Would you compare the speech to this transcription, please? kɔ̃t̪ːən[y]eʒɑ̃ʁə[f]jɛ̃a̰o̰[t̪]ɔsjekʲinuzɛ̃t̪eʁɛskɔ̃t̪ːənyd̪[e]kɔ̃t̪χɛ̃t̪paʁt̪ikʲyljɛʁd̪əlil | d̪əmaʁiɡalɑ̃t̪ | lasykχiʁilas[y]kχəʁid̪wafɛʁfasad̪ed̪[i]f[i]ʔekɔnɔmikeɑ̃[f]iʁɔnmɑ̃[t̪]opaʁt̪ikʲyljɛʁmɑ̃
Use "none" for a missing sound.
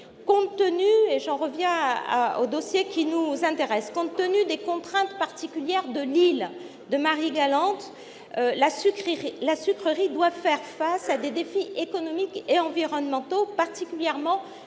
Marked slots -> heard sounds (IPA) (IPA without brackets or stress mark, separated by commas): y, v, d̪, e, y, e, i, v, t̪